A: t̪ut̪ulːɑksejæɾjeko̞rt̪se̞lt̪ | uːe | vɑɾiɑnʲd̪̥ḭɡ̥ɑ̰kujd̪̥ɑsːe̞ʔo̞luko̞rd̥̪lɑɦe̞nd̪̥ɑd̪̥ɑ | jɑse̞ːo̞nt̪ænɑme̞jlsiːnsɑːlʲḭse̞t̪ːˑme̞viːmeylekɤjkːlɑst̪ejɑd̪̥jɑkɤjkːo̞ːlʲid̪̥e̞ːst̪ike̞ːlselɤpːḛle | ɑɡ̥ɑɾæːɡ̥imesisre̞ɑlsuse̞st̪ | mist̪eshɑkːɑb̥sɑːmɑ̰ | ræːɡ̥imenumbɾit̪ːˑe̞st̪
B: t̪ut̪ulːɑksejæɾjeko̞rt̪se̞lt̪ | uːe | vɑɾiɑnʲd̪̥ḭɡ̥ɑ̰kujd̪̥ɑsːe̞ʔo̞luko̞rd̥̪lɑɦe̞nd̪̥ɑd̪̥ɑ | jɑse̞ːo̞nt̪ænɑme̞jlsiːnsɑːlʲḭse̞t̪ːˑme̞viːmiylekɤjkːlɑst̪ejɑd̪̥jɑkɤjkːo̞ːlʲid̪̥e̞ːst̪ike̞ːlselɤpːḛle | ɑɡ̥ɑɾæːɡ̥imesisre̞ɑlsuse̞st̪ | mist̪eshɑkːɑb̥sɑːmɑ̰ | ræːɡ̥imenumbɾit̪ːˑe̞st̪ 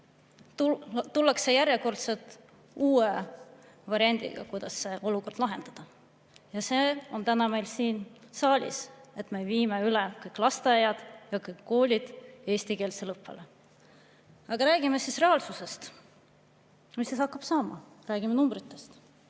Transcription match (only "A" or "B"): A